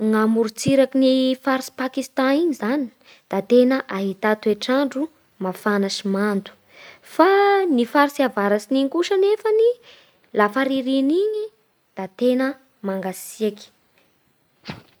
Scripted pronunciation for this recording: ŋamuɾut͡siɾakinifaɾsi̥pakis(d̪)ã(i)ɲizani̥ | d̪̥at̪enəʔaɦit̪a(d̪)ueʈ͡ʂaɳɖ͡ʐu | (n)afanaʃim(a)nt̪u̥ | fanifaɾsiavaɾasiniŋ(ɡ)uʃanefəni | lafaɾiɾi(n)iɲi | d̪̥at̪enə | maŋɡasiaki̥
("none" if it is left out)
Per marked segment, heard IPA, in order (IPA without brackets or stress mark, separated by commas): t̪, i, t̪, m, a, k, n